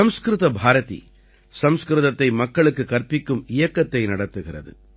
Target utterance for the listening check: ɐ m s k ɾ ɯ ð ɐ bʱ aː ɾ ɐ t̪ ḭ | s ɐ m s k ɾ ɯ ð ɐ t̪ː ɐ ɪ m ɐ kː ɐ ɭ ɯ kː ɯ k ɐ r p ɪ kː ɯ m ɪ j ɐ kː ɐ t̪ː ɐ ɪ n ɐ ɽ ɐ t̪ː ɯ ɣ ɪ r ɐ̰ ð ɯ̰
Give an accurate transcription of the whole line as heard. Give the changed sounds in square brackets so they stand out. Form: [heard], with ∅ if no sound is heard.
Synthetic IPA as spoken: ɐ m s k ɾ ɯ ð ɐ bʱ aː ɾ ɐ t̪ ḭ | s ɐ m s k ɾ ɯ ð ɐ t̪ː ɐ ɪ m ɐ kː ɐ ɭ ɯ kː ɯ k ɐ r p ɪ kː ɯ m ɪ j ɐ kː ɐ t̪ː ɐ ɪ n ɐ ɽ ɐ t̪ː ɯ ɣ ɪ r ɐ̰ ð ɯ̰